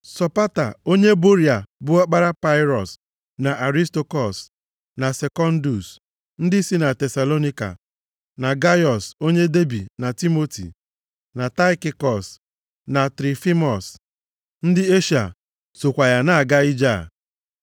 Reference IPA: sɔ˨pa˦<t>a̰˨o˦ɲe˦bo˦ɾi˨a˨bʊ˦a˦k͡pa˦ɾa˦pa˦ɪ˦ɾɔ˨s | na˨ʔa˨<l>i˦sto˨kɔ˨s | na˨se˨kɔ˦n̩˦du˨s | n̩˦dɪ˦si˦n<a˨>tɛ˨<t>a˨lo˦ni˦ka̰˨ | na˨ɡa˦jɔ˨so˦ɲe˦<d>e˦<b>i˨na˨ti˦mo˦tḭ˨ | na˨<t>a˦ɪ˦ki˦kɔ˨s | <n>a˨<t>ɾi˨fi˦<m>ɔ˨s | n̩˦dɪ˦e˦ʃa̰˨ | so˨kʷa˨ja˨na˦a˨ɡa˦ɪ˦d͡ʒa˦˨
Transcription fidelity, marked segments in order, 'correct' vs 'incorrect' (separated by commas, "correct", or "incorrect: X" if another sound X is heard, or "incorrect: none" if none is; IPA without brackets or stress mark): correct, incorrect: ɾ, correct, incorrect: s, correct, correct, correct, correct, correct, correct